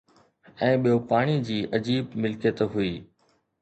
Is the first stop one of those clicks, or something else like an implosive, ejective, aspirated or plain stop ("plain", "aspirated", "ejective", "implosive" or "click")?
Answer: implosive